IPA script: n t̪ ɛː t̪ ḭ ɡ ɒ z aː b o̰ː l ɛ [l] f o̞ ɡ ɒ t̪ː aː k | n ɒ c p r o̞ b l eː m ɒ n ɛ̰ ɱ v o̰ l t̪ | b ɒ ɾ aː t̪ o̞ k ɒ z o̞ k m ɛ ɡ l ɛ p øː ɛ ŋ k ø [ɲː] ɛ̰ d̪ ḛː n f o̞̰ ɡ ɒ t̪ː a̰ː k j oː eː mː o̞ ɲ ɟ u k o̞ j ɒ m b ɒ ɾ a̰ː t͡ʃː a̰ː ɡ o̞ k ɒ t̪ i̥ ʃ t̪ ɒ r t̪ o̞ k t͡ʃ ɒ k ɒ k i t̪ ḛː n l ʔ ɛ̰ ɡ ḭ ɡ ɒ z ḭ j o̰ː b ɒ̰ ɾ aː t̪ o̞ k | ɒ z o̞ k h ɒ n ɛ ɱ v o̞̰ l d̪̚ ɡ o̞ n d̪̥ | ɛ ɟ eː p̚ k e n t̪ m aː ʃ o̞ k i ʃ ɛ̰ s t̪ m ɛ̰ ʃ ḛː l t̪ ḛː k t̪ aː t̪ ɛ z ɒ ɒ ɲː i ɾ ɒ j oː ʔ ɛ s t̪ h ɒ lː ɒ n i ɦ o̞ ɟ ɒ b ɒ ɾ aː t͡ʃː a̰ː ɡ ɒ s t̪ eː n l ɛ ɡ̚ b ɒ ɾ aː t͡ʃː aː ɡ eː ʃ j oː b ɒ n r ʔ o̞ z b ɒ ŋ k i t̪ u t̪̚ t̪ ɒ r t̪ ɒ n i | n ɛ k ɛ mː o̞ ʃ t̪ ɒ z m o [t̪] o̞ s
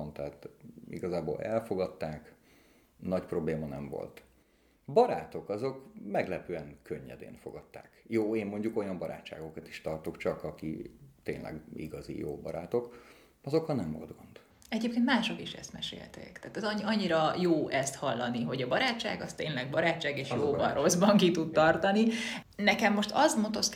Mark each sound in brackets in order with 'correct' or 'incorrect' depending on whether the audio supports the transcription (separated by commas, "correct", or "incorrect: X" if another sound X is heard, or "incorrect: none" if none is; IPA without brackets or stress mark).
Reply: correct, correct, correct